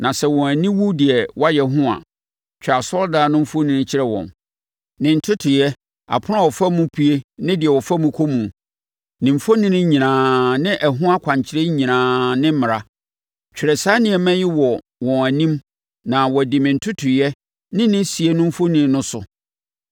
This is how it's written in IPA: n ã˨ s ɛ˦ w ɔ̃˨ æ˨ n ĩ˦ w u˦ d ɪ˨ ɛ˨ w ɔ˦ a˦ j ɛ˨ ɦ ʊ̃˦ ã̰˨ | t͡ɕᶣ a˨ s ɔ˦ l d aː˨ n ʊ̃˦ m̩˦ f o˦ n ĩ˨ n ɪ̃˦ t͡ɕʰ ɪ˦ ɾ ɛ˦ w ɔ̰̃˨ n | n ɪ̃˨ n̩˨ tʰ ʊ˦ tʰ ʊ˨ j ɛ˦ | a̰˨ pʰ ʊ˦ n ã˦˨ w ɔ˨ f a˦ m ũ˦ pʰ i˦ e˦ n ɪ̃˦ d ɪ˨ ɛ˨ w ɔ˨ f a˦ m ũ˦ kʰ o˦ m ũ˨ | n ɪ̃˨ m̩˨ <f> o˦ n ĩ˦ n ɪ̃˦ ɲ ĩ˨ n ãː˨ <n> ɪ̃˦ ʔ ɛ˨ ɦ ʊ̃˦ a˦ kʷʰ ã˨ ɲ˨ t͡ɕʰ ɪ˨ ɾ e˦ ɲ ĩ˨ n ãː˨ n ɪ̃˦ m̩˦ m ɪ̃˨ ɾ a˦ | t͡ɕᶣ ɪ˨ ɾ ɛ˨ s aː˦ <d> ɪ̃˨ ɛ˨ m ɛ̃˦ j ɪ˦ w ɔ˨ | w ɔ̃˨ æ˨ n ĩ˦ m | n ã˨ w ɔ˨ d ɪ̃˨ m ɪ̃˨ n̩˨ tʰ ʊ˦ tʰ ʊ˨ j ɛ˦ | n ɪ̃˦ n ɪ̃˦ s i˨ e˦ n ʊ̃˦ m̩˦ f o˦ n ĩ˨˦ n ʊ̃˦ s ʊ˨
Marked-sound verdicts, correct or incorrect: correct, correct, incorrect: n

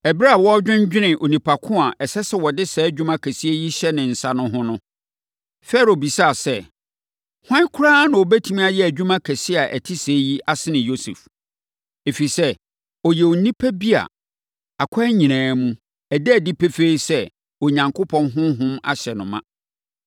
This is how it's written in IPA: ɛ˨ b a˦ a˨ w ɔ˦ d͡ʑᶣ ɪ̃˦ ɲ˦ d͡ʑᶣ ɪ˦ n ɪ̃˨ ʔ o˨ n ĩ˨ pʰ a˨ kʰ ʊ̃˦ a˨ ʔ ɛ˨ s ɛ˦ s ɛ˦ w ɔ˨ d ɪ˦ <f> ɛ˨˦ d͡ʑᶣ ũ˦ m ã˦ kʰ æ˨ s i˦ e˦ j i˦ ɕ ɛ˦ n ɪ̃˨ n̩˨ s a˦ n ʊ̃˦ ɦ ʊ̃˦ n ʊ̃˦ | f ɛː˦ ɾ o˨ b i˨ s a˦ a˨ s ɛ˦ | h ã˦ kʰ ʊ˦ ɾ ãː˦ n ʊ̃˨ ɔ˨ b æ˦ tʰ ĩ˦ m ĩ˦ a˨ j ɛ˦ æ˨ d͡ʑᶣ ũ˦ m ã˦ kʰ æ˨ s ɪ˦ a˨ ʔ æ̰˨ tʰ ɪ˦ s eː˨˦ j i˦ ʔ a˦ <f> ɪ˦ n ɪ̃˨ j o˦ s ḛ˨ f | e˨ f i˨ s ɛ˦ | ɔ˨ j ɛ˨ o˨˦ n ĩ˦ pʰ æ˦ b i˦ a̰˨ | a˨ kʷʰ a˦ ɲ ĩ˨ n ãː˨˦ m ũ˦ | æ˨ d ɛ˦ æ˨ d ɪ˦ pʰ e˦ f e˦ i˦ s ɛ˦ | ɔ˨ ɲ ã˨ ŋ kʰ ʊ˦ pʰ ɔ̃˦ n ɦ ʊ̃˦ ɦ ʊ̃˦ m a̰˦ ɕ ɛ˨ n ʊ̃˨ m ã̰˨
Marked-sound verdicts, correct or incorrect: incorrect: s, incorrect: s

